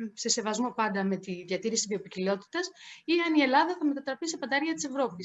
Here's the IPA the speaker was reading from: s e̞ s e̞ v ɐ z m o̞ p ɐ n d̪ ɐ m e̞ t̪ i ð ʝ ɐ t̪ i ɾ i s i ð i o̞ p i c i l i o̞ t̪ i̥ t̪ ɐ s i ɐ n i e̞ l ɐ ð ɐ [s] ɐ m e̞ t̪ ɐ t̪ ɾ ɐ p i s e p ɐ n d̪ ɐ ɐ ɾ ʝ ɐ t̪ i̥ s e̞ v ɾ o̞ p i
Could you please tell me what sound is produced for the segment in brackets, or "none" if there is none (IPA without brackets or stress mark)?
θ